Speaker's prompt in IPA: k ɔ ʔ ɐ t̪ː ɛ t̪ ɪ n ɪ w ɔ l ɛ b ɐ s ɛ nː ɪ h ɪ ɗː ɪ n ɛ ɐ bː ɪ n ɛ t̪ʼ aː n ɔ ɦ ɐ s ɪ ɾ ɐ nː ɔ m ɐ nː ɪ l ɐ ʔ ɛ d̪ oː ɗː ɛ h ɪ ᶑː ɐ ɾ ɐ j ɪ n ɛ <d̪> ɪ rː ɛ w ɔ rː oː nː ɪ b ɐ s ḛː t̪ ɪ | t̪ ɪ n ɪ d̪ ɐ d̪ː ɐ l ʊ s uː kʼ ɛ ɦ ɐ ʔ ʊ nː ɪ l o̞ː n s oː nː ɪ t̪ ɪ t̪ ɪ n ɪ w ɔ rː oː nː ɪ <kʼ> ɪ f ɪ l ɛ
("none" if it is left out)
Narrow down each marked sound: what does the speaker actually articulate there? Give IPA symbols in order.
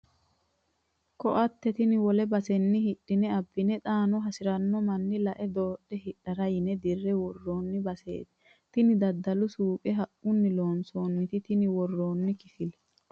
d̪, k

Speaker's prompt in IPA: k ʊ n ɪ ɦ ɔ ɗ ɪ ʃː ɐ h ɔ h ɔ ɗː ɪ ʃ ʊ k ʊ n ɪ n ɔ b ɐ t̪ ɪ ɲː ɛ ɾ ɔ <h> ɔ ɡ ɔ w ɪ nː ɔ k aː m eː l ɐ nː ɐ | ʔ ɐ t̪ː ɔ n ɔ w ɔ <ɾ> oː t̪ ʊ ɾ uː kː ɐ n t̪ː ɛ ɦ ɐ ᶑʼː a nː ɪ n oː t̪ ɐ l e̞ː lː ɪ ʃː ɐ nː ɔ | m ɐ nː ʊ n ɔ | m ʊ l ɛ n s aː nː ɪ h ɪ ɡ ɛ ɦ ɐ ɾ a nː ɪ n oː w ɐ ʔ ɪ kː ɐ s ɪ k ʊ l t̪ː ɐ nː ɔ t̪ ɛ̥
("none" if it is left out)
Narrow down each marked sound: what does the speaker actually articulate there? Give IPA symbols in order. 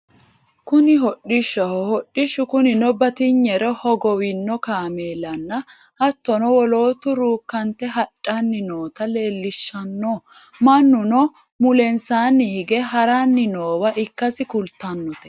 h, l

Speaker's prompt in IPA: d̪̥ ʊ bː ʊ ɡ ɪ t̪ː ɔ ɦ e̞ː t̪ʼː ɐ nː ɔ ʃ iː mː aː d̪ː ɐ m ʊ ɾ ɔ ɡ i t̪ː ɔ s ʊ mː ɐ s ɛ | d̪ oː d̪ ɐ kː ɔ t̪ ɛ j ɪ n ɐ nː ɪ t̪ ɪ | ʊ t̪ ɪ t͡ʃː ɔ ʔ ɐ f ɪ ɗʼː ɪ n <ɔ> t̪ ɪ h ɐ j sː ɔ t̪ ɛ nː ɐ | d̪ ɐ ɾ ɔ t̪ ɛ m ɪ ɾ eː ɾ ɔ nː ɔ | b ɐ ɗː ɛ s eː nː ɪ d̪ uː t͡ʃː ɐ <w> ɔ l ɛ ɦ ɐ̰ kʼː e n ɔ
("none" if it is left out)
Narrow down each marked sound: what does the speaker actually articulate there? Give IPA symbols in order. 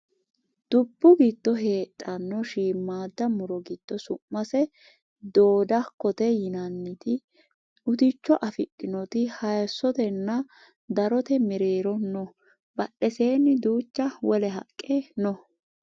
ɔ, w

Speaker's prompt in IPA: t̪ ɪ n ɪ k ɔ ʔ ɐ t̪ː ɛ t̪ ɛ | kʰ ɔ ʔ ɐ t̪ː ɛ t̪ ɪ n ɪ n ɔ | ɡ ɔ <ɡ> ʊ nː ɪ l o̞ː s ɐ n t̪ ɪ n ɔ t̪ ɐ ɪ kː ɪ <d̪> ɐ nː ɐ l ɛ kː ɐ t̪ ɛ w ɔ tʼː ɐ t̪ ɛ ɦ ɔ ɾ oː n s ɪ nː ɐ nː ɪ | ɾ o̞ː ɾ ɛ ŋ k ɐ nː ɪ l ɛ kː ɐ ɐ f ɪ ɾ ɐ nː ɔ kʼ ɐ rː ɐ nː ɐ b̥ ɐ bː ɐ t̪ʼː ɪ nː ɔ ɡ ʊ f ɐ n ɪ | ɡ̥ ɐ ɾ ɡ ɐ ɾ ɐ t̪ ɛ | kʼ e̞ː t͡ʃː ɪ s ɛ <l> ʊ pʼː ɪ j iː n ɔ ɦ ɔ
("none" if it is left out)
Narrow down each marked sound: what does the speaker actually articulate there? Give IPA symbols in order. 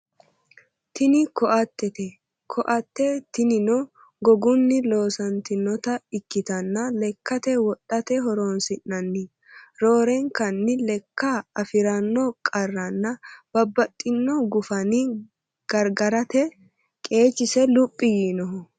ɡ, t̪, l

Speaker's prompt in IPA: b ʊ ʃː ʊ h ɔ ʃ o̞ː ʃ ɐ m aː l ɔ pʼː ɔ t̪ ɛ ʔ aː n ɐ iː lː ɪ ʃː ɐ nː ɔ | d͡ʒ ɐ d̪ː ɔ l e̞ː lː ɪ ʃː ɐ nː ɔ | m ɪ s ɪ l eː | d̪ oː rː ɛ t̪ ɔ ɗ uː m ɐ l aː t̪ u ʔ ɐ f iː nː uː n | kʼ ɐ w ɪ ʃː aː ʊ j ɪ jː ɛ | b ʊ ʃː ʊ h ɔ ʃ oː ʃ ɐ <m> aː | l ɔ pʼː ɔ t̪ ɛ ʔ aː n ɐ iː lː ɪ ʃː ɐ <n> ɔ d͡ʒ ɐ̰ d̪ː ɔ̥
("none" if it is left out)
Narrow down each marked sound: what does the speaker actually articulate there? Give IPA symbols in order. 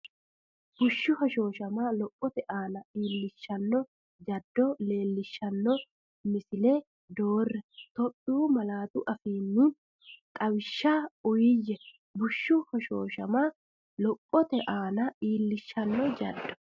m, nː

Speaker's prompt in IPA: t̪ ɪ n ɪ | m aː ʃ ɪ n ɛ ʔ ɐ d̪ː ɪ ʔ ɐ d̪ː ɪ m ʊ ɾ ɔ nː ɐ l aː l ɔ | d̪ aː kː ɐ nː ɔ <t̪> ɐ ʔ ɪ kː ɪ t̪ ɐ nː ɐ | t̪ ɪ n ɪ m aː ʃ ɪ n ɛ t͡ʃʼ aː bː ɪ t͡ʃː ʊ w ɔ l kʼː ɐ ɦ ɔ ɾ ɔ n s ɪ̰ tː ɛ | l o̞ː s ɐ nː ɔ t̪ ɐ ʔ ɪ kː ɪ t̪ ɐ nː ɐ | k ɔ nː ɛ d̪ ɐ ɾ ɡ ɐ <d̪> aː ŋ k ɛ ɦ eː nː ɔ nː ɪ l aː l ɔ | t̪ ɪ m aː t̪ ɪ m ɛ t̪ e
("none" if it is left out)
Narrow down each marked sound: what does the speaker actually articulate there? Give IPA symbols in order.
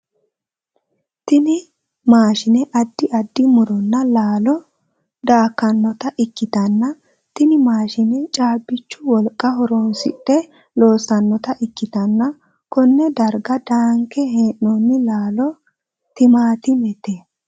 t̪, d̪

